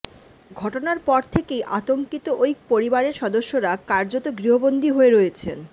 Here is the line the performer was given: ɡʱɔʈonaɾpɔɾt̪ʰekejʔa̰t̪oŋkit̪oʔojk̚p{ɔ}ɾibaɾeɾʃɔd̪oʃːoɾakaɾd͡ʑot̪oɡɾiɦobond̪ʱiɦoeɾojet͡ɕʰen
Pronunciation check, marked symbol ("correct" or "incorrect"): incorrect